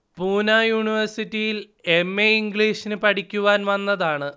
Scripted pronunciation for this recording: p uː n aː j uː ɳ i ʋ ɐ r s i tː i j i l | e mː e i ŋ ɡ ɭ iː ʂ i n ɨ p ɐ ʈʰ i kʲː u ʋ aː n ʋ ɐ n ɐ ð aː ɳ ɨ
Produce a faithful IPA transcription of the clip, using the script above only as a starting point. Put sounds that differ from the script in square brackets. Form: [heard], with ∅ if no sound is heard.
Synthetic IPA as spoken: p uː n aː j uː ɳ i ʋ ɐ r s i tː i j i l | e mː e i ŋ ɡ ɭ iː ʂ i n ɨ p ɐ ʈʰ i kʲː u ʋ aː n ʋ ɐ [nː] ɐ ð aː ɳ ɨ

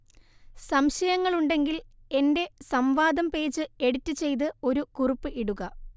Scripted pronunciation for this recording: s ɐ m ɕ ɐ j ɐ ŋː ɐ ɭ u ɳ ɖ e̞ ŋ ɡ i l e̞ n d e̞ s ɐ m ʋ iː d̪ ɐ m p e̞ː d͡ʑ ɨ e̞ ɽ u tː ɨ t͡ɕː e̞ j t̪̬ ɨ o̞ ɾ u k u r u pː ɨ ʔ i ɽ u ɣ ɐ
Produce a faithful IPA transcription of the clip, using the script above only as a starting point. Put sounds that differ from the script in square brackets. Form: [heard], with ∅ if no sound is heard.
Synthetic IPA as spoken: s ɐ m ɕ ɐ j ɐ ŋː ɐ ɭ u ɳ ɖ e̞ ŋ ɡ i l e̞ n d e̞ s ɐ m ʋ [aː] d̪ ɐ m p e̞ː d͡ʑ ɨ e̞ ɽ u tː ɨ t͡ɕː e̞ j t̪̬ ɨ o̞ ɾ u k u r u pː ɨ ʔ i ɽ u ɣ ɐ

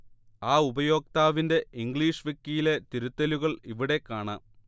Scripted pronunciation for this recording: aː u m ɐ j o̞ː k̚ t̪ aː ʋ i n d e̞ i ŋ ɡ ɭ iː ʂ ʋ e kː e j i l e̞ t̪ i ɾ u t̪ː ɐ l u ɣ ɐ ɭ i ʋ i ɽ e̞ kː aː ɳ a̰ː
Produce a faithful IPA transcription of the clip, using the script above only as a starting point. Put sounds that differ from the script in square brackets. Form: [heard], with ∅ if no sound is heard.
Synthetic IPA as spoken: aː u [b] ɐ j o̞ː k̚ t̪ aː ʋ i n d e̞ i ŋ ɡ ɭ iː ʂ ʋ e kː [i] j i l e̞ t̪ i ɾ u t̪ː ɐ l u ɣ ɐ ɭ i ʋ i ɽ e̞ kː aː ɳ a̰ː

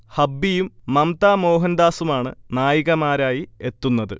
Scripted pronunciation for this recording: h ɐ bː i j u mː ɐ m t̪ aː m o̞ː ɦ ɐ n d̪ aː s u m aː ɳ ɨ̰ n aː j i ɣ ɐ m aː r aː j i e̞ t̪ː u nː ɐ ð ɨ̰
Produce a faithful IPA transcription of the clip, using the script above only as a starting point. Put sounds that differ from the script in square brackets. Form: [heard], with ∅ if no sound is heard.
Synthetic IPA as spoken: h ɐ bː i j u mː ɐ m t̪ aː m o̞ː ɦ ɐ n d̪ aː s u m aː ɳ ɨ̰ n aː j i ɣ ɐ m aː [ɾ] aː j i e̞ t̪ː u nː ɐ ð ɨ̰

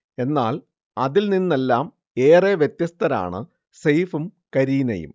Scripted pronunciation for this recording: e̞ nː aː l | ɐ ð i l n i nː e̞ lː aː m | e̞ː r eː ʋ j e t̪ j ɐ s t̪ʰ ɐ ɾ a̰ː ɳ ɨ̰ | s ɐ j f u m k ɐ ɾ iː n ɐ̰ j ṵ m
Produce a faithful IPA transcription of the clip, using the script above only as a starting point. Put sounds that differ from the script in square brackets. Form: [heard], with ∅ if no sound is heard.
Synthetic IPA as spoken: e̞ nː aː l | ɐ ð i l n i nː e̞ lː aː m | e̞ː r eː ʋ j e t̪ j ɐ s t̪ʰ ɐ ɾ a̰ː ɳ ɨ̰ | s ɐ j f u m k ɐ ɾ iː n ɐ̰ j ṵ m

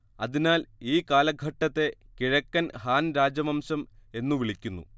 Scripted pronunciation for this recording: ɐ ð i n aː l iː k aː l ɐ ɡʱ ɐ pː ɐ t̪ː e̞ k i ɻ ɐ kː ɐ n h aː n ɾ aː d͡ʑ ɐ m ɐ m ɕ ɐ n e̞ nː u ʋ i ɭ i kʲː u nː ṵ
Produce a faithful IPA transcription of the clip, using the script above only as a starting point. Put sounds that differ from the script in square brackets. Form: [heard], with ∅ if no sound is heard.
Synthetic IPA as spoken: ɐ ð i n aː l iː k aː l ɐ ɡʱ ɐ [ʈː] ɐ t̪ː e̞ k i ɻ ɐ kː ɐ n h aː n ɾ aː d͡ʑ ɐ m ɐ m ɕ ɐ [m] e̞ nː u ʋ i ɭ i kʲː u nː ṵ

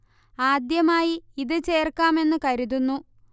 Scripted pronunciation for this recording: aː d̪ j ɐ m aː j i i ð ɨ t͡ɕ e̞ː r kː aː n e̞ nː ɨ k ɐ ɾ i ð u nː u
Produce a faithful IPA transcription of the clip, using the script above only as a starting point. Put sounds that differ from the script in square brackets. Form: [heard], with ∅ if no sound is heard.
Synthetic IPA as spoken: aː d̪ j ɐ m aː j i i ð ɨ t͡ɕ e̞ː r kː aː [m] e̞ nː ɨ k ɐ ɾ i ð u nː u

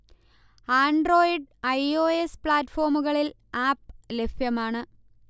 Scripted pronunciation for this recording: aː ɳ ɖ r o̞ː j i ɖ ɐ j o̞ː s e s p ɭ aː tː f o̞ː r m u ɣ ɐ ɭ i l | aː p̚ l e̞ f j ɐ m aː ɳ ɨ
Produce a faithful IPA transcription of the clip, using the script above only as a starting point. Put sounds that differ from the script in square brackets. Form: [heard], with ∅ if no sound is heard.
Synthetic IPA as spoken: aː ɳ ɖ r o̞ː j i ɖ ɐ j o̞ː [∅] e s p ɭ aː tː f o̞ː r m u ɣ ɐ ɭ i l | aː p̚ l e̞ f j ɐ m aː ɳ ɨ

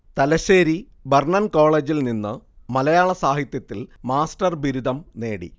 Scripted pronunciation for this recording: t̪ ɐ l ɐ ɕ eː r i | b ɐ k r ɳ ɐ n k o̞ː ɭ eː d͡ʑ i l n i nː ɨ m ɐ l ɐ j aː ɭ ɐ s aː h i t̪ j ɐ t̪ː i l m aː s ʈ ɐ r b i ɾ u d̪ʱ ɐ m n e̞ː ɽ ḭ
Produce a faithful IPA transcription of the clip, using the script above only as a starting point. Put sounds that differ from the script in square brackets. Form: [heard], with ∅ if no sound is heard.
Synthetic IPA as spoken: t̪ ɐ l ɐ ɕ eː [ɾ] i | b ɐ [∅] r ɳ ɐ n k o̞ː ɭ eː d͡ʑ i l n i nː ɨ m ɐ l ɐ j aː ɭ ɐ s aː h i t̪ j ɐ t̪ː i l m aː s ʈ ɐ r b i ɾ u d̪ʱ ɐ m n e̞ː ɽ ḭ

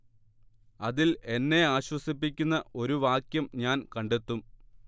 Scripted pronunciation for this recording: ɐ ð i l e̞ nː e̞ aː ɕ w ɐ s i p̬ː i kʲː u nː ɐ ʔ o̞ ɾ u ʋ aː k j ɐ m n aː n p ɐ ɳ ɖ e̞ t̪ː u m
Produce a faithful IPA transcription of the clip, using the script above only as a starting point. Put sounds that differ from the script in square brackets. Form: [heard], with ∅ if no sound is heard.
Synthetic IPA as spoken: ɐ ð i l e̞ nː e̞ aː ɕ w ɐ s i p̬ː i kʲː u nː ɐ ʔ o̞ ɾ u ʋ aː k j ɐ m [ɲ] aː n [k] ɐ ɳ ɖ e̞ t̪ː u m

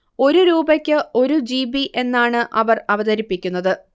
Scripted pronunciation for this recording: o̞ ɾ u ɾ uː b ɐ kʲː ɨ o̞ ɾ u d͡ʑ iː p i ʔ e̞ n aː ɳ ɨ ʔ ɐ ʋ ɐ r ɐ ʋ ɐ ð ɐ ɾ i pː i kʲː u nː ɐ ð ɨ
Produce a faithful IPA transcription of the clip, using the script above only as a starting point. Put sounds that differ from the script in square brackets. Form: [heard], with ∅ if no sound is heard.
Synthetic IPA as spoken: o̞ ɾ u ɾ uː b ɐ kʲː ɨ o̞ ɾ u d͡ʑ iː [b] i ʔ e̞ [nː] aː ɳ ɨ ʔ ɐ ʋ ɐ r ɐ ʋ ɐ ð ɐ ɾ i pː i kʲː u nː ɐ ð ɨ

